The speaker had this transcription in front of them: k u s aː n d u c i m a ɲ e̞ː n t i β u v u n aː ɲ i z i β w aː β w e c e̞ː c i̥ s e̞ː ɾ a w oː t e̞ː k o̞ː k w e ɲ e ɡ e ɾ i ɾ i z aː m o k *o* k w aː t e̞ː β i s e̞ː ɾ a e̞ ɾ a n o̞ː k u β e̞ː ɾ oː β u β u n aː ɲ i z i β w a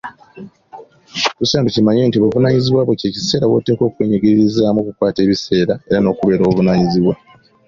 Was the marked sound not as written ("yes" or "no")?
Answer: yes